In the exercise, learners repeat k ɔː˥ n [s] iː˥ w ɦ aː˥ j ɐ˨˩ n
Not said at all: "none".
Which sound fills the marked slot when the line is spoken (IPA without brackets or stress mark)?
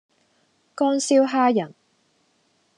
s